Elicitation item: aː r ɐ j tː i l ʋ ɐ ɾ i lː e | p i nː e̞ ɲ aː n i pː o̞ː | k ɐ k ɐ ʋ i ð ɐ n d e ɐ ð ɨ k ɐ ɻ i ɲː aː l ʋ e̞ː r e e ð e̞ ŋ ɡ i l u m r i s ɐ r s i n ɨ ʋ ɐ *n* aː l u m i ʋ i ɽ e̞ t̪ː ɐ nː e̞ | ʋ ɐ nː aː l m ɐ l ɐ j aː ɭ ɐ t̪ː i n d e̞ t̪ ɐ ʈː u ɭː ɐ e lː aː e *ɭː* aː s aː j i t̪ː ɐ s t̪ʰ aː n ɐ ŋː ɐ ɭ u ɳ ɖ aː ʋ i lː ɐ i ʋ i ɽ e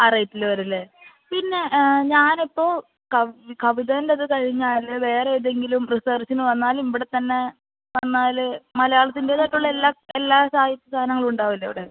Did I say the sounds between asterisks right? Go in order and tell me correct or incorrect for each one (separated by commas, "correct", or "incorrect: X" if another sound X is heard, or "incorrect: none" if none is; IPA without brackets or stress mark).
incorrect: nː, incorrect: lː